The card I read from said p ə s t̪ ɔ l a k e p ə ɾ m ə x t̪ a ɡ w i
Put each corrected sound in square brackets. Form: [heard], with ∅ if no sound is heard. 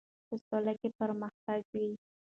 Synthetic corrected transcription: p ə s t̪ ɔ l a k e p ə ɾ m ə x t̪ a ɡ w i